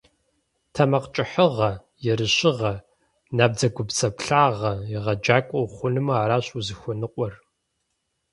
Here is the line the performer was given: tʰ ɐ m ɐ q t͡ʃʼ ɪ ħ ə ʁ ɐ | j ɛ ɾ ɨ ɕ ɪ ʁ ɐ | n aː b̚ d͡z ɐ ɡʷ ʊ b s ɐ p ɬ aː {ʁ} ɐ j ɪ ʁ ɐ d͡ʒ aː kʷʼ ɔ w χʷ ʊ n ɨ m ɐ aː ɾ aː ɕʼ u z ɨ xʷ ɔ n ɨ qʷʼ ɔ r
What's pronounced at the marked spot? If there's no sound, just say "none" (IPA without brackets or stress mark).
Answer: ʁ